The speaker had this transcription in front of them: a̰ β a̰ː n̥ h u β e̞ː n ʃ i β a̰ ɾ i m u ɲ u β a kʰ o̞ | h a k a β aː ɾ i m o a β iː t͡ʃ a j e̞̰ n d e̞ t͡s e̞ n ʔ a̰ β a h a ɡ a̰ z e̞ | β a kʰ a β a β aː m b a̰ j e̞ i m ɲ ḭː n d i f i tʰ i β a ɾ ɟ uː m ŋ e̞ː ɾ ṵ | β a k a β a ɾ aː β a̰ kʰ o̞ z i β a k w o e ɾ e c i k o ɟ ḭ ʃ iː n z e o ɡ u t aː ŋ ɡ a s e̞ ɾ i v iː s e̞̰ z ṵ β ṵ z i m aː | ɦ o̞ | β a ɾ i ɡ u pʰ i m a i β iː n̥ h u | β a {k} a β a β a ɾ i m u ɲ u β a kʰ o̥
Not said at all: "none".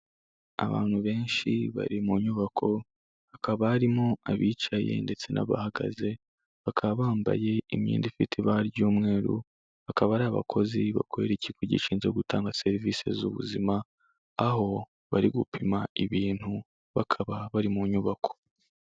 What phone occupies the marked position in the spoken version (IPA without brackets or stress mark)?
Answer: kʰ